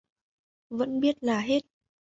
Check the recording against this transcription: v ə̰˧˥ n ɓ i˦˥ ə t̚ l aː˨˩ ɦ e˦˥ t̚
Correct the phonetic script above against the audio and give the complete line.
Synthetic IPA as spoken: v ə̰˧˥ n ɓ i˦˥ ə t̚ l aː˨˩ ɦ e˦˥ t̚